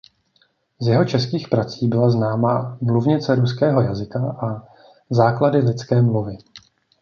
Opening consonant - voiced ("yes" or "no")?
yes